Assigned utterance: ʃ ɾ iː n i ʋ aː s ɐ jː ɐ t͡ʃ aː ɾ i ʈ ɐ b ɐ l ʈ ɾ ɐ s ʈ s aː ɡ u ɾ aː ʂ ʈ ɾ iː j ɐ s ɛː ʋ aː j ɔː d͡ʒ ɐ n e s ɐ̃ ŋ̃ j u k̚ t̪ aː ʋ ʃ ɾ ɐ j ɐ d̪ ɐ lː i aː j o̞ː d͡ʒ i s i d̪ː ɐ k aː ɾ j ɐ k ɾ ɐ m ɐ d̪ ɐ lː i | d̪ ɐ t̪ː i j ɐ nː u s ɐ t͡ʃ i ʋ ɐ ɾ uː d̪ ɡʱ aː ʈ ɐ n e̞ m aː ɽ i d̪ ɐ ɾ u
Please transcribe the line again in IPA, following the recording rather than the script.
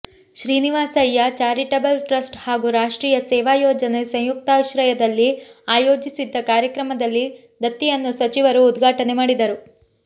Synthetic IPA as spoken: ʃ ɾ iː n i ʋ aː s ɐ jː ɐ t͡ʃ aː ɾ i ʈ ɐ b ɐ l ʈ ɾ ɐ s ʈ h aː ɡ u ɾ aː ʂ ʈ ɾ iː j ɐ s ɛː ʋ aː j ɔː d͡ʒ ɐ n e s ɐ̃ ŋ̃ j u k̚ t̪ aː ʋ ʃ ɾ ɐ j ɐ d̪ ɐ lː i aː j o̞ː d͡ʒ i s i d̪ː ɐ k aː ɾ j ɐ k ɾ ɐ m ɐ d̪ ɐ lː i | d̪ ɐ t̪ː i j ɐ nː u s ɐ t͡ʃ i ʋ ɐ ɾ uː d̪ ɡʱ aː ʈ ɐ n e̞ m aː ɽ i d̪ ɐ ɾ u